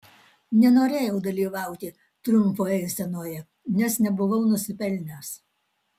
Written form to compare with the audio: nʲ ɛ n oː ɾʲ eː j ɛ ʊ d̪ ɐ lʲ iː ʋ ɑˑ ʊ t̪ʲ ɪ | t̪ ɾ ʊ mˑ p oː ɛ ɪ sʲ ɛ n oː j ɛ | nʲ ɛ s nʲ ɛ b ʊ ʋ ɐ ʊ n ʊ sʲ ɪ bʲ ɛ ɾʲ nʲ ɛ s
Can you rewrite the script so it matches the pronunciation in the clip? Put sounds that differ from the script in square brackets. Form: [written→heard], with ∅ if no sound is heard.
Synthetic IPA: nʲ ɛ n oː ɾʲ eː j ɛ ʊ d̪ ɐ lʲ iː ʋ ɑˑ ʊ t̪ʲ ɪ | t̪ ɾ ʊ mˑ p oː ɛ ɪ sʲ ɛ n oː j ɛ | nʲ ɛ s nʲ ɛ b ʊ ʋ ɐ ʊ n ʊ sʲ ɪ [bʲ→pʲ] ɛ [ɾʲ→lʲ] nʲ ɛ s